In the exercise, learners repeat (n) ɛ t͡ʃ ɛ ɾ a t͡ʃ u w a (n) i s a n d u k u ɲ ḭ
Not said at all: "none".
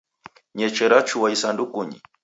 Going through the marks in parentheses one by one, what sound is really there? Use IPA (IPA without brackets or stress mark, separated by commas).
ɲ, none